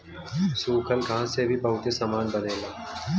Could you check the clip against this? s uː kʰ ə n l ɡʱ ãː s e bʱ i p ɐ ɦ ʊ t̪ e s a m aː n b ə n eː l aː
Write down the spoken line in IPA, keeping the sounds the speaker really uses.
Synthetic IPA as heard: s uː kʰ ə l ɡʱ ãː s e bʱ i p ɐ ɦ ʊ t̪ e s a m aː n b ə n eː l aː